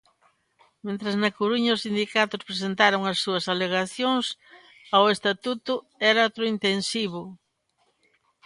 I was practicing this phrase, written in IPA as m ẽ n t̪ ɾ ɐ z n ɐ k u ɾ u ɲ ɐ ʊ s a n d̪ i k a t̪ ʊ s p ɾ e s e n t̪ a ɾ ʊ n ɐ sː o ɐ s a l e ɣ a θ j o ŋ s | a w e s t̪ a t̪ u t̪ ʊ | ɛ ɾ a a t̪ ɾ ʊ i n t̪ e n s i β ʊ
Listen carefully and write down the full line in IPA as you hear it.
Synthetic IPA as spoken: m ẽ n t̪ ɾ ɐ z n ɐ k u ɾ u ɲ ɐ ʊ s i n d̪ i k a t̪ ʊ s p ɾ e s e n t̪ a ɾ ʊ ŋ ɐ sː u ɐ s a l e ɣ a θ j o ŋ s | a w e s t̪ a t̪ u t̪ ʊ | ɛ ɾ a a t̪ ɾ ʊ i n t̪ e n s i β ʊ